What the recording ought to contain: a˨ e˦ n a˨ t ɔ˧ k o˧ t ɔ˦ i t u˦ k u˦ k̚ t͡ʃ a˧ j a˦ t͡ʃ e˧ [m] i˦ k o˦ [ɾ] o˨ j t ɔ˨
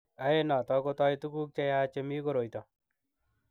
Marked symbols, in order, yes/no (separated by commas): yes, yes